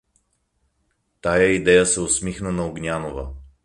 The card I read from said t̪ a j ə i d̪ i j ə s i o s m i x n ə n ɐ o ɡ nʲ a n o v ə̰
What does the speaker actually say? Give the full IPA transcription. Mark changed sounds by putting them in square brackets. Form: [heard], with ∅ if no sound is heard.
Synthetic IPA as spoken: t̪ a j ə i d̪ [ɛ] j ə s [ɛ] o s m i x n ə n ɐ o ɡ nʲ a n o v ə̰